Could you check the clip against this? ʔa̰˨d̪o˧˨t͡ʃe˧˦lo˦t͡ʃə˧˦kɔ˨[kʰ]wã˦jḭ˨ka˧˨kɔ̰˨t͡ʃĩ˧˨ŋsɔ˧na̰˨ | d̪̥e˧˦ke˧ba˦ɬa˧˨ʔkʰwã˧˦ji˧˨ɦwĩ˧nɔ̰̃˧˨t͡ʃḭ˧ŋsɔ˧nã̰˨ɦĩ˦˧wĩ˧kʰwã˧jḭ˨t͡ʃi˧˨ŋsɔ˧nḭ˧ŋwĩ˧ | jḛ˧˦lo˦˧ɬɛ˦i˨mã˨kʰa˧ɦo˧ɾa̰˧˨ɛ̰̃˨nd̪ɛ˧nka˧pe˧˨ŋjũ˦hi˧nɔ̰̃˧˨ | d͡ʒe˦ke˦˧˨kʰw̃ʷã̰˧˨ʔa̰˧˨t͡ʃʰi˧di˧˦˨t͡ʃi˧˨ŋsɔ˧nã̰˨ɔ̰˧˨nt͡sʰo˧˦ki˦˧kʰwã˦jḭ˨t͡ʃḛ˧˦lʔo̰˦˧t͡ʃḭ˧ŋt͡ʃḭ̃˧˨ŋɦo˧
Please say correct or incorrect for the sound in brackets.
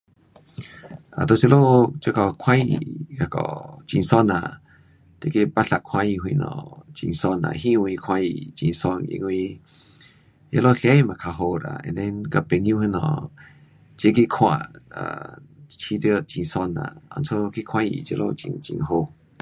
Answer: correct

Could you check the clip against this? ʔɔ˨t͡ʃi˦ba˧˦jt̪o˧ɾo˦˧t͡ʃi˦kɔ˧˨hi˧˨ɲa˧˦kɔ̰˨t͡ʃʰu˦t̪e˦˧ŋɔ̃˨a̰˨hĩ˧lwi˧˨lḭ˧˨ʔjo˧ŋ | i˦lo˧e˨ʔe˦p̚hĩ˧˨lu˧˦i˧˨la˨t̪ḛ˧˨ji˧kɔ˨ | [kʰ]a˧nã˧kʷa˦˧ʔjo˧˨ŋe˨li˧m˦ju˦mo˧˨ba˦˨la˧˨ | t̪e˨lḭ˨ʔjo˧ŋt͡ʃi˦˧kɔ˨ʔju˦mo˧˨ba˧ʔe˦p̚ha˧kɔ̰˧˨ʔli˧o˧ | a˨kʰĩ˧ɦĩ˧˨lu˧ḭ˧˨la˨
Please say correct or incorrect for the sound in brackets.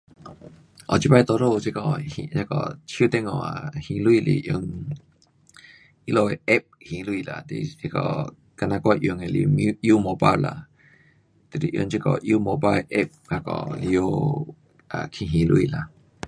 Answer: incorrect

